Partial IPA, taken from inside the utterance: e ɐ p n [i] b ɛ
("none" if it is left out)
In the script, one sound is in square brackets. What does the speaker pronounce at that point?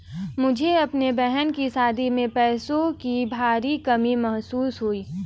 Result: e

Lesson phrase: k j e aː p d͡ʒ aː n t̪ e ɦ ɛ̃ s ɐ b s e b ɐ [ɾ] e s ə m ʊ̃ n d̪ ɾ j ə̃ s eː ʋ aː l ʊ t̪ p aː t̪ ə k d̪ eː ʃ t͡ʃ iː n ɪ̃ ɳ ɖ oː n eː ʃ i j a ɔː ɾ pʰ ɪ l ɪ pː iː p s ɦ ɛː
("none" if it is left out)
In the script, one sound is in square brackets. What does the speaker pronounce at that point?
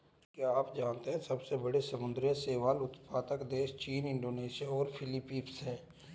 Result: ɽ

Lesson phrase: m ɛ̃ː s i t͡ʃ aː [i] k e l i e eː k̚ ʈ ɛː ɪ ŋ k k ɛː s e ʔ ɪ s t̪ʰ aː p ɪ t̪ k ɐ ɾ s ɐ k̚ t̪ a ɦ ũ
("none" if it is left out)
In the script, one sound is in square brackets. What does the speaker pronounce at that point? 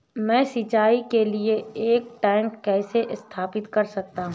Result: i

